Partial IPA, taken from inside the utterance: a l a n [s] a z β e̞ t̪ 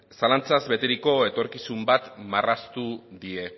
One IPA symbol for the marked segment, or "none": t͡s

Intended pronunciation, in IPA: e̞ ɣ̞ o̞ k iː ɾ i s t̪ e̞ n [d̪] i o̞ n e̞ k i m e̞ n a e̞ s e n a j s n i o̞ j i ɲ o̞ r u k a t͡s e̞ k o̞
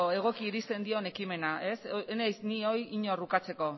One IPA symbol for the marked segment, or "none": d̪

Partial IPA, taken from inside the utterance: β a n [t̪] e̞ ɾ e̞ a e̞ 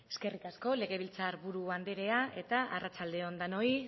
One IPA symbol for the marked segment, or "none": d̪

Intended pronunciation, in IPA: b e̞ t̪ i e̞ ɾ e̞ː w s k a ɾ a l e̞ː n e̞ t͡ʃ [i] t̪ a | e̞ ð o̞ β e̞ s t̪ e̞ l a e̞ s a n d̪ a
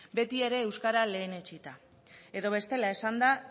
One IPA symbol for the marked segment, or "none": i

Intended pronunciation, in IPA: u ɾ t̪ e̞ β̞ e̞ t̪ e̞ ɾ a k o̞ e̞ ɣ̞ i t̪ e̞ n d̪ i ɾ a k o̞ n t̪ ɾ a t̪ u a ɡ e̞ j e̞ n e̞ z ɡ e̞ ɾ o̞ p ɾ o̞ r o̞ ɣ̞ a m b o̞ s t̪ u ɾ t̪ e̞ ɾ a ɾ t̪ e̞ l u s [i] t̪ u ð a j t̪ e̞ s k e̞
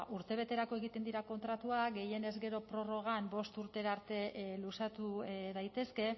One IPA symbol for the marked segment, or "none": a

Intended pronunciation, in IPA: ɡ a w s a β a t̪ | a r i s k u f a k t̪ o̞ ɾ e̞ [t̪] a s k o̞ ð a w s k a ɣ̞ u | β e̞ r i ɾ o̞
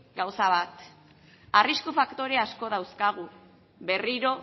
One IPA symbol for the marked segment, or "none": none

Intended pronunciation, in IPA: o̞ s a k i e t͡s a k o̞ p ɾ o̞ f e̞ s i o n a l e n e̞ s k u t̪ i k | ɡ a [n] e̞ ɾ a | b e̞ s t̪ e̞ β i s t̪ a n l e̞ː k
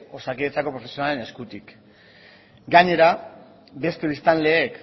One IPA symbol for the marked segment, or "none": ɲ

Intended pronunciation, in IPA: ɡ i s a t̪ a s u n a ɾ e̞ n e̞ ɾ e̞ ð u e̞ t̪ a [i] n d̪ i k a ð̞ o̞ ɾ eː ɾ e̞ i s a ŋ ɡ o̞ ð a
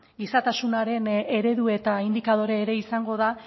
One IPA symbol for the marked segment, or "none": i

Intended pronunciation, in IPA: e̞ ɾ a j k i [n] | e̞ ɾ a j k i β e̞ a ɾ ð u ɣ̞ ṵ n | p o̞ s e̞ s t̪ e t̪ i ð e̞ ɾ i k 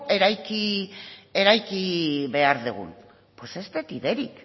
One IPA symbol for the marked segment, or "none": none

